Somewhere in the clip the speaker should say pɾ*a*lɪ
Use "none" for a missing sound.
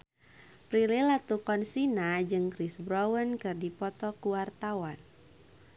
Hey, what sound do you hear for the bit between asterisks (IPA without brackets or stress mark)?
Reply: i